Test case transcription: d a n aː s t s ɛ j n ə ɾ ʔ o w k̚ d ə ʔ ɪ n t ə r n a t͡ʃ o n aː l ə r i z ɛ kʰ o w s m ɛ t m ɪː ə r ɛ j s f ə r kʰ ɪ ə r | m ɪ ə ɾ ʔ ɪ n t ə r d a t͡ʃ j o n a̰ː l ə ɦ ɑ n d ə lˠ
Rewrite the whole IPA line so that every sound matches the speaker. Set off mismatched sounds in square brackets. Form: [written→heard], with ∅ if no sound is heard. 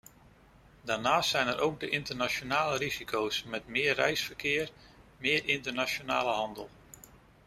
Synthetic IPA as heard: d a n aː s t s ɛ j n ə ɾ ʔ o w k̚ d ə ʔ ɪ n t ə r n a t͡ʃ o n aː l ə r i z [ɛ→i] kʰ o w s m ɛ t m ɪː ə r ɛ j s f ə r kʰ ɪ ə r | m ɪ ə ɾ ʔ ɪ n t ə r [d→n] a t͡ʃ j o n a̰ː l ə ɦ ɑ n d ə lˠ